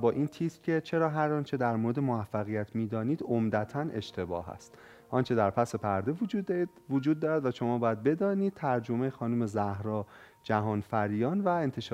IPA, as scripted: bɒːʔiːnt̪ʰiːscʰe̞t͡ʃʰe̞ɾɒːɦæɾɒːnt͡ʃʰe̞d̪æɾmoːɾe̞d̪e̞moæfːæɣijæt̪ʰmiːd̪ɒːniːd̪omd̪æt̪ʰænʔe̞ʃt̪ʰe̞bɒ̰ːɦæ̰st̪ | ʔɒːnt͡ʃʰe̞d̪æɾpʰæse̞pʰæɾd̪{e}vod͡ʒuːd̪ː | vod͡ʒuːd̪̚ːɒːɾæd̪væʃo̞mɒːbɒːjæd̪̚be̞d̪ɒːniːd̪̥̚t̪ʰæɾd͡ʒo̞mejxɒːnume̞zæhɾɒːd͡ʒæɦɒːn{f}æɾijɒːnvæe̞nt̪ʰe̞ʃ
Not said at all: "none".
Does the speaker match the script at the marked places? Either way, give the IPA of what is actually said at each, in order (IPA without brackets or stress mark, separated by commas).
e, f